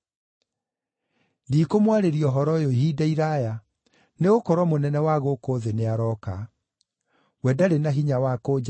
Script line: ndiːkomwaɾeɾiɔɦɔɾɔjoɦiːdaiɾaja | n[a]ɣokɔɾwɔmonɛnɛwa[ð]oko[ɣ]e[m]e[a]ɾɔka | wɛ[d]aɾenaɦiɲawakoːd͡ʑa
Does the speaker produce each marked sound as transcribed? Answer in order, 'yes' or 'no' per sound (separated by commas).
no, no, no, no, yes, yes